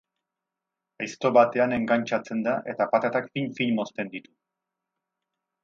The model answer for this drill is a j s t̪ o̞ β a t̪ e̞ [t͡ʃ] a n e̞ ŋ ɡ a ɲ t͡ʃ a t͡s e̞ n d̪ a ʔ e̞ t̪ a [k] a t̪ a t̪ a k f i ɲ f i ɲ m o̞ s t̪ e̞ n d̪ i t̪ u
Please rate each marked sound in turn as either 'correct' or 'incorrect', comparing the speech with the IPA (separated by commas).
incorrect, incorrect